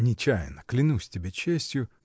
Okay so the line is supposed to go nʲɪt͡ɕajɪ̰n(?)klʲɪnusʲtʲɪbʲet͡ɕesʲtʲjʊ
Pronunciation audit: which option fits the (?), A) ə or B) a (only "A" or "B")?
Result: A